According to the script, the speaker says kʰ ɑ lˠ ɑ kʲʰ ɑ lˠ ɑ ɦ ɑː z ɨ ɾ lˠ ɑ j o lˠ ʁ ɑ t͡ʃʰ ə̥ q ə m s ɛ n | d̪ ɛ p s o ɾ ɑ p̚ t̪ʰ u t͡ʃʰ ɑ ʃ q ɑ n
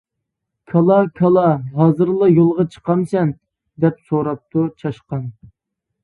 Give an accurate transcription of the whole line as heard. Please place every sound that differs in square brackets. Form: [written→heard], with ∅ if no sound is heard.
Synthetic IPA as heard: kʰ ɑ lˠ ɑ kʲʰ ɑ lˠ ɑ ɦ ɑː z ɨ ɾ lˠ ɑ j o lˠ ʁ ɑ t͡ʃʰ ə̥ q [ə→ɑ] m s ɛ n | d̪ ɛ p s o ɾ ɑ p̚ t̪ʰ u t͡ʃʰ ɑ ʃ q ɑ n

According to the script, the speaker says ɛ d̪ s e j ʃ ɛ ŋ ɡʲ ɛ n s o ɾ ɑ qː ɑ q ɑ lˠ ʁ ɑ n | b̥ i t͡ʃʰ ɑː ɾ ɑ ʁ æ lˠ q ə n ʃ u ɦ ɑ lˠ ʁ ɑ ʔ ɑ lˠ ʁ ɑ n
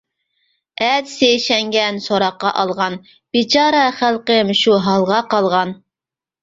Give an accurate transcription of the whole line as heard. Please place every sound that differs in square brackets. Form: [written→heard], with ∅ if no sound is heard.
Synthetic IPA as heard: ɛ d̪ s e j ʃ ɛ ŋ ɡʲ ɛ n s o ɾ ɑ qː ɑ [q→ʔ] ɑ lˠ ʁ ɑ n | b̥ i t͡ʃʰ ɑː ɾ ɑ [ʁ→χ] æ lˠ q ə [n→m] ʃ u ɦ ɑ lˠ ʁ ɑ [ʔ→q] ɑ lˠ ʁ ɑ n

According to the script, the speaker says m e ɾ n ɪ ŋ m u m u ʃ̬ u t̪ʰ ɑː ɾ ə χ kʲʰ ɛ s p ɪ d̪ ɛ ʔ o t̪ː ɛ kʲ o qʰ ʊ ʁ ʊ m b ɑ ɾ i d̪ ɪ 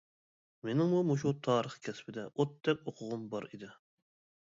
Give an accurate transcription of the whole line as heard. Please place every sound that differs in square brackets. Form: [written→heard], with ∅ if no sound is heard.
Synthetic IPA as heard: m e [ɾ→∅] n ɪ ŋ m u m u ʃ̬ u t̪ʰ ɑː ɾ ə χ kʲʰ ɛ s p ɪ d̪ ɛ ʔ o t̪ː ɛ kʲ o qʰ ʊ ʁ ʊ m b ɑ ɾ i d̪ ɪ

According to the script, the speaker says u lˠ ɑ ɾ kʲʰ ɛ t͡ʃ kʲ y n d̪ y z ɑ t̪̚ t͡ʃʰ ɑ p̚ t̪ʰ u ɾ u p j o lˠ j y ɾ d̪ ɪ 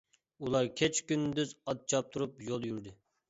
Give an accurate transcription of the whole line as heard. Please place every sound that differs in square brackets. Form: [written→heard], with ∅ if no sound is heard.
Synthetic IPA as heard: u lˠ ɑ ɾ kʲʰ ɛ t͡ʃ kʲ y n d̪ y z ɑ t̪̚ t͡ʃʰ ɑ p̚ t̪ʰ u ɾ u p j o lˠ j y ɾ d̪ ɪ

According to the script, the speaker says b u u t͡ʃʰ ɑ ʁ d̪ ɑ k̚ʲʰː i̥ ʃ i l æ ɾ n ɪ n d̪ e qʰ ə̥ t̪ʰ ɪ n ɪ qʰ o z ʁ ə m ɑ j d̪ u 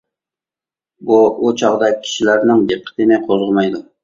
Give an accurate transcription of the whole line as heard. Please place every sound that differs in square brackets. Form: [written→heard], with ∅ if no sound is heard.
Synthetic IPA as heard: b u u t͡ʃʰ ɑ ʁ d̪ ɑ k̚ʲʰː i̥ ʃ i l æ ɾ n ɪ [n→ŋ] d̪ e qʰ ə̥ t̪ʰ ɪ n ɪ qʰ o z ʁ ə m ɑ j d̪ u

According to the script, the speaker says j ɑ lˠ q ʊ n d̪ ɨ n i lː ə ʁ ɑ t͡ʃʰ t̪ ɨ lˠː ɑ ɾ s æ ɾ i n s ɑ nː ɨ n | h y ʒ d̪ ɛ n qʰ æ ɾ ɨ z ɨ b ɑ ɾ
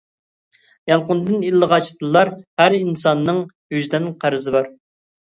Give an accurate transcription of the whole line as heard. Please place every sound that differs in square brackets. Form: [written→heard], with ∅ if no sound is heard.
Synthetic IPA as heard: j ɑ lˠ q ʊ n d̪ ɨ n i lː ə ʁ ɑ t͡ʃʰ t̪ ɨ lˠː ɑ ɾ [s→h] æ ɾ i n s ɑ nː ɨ [n→ŋ] | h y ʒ d̪ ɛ n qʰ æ ɾ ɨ z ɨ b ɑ ɾ

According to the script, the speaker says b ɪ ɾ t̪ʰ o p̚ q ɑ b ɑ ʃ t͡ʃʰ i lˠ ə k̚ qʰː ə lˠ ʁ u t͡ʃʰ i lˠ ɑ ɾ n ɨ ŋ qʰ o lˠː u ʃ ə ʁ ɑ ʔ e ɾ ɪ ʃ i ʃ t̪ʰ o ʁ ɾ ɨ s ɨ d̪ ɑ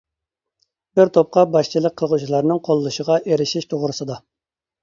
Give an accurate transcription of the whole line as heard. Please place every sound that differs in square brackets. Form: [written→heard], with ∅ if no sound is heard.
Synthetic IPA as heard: b ɪ ɾ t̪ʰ o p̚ q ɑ b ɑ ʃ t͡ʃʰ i lˠ ə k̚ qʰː ə lˠ ʁ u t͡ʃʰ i lˠ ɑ ɾ n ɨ ŋ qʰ o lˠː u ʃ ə ʁ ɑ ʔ e ɾ ɪ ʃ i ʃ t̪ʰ o ʁ ɾ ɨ s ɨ d̪ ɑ

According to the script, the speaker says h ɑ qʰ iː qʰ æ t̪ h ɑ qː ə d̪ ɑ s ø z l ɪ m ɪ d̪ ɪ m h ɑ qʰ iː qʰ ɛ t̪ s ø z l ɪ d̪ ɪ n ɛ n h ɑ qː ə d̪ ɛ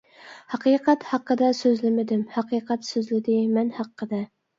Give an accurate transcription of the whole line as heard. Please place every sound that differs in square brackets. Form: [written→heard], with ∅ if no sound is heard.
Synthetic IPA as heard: h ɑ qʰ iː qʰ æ t̪ h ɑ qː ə d̪ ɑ s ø z l ɪ m ɪ d̪ ɪ m h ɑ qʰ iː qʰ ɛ t̪ s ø z l ɪ d̪ ɪ [n→m] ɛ n h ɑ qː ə d̪ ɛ

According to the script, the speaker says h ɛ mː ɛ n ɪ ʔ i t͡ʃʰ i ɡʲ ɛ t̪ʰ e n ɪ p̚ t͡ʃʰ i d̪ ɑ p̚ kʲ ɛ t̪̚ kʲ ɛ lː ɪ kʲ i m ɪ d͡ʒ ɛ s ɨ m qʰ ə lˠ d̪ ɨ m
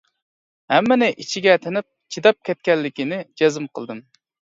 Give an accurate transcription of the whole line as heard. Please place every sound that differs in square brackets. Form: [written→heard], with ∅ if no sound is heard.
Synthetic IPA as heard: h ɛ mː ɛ n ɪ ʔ i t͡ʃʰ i ɡʲ ɛ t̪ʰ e n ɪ p̚ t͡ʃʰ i d̪ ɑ p̚ kʲ ɛ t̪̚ kʲ ɛ lː ɪ kʲ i [m→n] ɪ d͡ʒ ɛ [s→z] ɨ m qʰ ə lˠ d̪ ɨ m

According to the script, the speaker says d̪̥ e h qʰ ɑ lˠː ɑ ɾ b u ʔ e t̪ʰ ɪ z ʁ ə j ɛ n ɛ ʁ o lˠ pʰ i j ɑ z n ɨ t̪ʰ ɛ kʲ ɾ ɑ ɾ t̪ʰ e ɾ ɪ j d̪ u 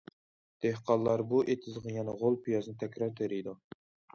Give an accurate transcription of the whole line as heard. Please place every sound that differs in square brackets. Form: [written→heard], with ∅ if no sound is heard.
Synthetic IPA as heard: d̪̥ e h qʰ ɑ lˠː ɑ ɾ b u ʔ e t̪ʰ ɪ z ʁ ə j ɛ n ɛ ʁ o lˠ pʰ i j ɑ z n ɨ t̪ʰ ɛ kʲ ɾ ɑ ɾ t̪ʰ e ɾ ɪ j d̪ u

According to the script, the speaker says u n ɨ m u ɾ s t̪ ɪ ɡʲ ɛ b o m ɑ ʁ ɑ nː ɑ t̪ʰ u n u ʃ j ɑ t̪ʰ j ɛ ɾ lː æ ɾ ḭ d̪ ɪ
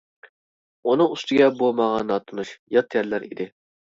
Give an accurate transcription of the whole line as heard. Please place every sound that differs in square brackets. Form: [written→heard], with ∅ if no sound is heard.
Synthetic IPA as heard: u n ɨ [m→ŋ] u [ɾ→∅] s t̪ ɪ ɡʲ ɛ b o m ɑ ʁ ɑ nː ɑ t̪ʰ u n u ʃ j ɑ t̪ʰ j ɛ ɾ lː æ ɾ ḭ d̪ ɪ

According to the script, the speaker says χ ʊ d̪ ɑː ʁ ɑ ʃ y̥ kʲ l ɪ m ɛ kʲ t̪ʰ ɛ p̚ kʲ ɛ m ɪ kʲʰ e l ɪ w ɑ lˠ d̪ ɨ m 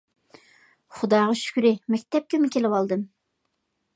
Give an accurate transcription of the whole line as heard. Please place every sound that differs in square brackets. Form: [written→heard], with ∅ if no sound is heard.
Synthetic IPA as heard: χ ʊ d̪ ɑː ʁ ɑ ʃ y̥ kʲ [l→ɾ] ɪ m ɛ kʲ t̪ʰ ɛ p̚ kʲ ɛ m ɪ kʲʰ e l ɪ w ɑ lˠ d̪ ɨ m

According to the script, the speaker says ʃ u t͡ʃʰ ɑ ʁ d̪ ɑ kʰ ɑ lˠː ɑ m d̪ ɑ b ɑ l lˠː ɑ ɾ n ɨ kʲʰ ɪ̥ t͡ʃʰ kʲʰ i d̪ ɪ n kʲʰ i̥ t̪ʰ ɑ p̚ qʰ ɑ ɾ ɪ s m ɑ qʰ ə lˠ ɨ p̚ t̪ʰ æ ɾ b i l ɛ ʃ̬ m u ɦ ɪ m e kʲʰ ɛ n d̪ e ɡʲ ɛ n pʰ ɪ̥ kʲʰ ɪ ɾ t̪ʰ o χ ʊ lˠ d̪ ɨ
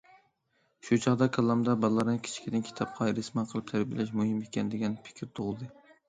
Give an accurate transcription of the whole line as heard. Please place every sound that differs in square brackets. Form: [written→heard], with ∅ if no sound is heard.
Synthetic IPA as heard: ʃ u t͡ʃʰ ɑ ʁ d̪ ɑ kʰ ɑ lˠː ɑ m d̪ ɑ b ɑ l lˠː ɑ ɾ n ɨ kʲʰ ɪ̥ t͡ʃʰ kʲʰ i d̪ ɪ n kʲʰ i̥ t̪ʰ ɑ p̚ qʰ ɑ ɾ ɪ s m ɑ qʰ ə lˠ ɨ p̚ t̪ʰ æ ɾ b i l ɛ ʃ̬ m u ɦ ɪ m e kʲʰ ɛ n d̪ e ɡʲ ɛ n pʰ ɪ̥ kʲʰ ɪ ɾ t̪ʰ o [χ→ʁ] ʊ lˠ d̪ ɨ

